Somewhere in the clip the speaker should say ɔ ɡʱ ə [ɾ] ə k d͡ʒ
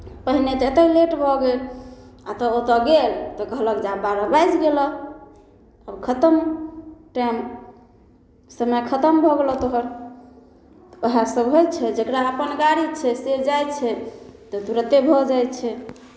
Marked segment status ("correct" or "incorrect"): incorrect